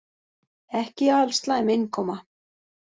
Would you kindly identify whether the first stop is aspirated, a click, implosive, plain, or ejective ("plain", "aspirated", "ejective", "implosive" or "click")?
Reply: plain